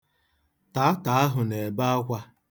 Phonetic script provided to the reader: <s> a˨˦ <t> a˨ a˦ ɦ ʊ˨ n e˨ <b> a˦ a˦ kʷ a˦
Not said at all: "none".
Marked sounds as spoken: t, t, b

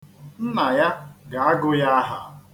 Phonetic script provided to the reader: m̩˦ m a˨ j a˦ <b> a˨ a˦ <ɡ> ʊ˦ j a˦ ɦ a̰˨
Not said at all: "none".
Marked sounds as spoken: ɡ, ɡ

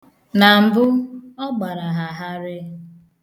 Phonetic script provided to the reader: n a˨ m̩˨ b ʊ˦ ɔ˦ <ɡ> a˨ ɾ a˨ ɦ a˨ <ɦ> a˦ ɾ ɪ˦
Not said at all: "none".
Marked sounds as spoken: ɡ͡b, ɦ

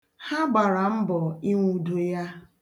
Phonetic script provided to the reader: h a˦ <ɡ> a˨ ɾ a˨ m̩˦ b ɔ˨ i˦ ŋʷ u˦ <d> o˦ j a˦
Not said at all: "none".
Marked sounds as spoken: ɡ͡b, d

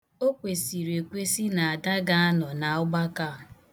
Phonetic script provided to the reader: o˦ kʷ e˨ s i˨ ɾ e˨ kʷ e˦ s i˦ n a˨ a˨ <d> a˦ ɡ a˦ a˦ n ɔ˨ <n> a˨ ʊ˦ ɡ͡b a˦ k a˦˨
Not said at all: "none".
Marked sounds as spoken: d, n

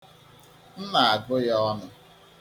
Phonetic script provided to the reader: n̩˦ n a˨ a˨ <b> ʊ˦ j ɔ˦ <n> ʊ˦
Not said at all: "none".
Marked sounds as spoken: ɡ, n

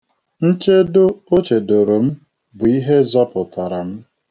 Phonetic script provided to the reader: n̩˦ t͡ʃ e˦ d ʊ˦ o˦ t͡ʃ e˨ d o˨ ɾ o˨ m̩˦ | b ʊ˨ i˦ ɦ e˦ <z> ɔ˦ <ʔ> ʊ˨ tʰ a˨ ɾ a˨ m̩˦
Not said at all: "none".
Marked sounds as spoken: z, p

